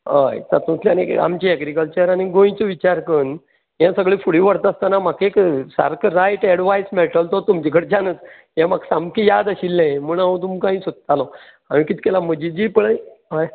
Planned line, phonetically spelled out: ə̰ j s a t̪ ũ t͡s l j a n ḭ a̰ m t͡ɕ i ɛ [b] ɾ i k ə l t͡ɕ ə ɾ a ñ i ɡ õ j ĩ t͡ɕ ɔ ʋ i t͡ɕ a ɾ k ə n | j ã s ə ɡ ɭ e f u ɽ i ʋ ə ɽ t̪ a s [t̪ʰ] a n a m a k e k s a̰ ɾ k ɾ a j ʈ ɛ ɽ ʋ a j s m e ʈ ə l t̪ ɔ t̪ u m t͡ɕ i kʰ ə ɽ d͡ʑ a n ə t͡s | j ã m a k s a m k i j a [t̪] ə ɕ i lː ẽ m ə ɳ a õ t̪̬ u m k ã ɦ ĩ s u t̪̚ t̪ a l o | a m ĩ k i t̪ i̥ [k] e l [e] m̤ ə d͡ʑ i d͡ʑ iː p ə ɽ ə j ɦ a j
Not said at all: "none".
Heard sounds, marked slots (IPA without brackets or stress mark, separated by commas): ɡ, t̪, d̪, k, a